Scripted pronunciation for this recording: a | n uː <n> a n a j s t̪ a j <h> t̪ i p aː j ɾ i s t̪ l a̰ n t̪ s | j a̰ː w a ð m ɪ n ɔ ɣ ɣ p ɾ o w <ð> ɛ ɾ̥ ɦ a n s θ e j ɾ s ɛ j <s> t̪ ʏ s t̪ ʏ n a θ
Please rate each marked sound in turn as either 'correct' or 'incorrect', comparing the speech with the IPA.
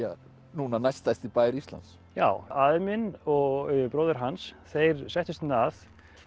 correct, incorrect: s, correct, incorrect: h

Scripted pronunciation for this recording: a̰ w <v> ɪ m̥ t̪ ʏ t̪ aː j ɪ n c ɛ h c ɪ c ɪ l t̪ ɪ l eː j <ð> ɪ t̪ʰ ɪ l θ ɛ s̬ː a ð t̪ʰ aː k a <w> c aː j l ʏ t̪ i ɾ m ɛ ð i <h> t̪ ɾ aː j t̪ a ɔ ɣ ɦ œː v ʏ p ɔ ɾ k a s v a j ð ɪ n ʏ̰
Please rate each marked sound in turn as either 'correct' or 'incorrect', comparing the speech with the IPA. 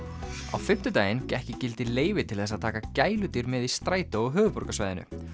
incorrect: f, incorrect: v, incorrect: none, incorrect: s

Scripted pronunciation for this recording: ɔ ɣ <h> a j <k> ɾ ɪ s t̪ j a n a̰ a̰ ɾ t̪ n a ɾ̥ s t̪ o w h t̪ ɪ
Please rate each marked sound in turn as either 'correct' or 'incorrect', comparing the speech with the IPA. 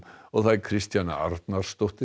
incorrect: θ, incorrect: kʰ

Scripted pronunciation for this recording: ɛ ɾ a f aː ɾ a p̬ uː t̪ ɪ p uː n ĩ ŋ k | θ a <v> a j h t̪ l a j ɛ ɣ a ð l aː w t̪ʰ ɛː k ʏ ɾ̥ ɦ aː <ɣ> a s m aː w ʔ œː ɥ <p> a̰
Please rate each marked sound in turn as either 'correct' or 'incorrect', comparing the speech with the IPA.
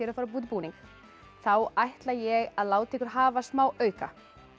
incorrect: w, incorrect: v, incorrect: k

